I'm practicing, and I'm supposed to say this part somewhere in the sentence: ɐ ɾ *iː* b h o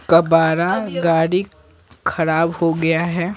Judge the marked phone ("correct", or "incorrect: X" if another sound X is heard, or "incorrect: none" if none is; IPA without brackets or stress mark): incorrect: aː